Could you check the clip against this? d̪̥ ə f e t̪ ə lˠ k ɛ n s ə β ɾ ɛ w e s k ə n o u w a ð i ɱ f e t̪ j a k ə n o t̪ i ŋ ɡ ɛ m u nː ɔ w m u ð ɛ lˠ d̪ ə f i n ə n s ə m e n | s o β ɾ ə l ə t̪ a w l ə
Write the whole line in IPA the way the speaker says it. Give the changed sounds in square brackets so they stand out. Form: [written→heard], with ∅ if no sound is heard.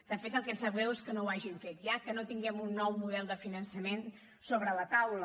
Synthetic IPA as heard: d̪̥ ə f e t̪ ə lˠ k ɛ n s ə β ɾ ɛ w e s k ə n o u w a [ð→ʒ] i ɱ f e t̪ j a k ə n o t̪ i ŋ ɡ ɛ m u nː ɔ w m u ð ɛ lˠ d̪ ə f i n ə n s ə m e n | s o β ɾ ə l ə t̪ a w l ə